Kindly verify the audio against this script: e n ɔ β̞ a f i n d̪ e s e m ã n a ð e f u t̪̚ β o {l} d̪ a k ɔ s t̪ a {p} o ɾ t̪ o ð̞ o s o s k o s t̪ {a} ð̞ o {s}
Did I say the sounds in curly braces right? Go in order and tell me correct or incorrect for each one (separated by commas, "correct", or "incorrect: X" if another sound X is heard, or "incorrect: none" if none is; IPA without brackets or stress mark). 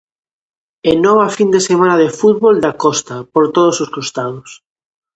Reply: correct, correct, correct, correct